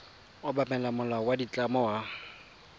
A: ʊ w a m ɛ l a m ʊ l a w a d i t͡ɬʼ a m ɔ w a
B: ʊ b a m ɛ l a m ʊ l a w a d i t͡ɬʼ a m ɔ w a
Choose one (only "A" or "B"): B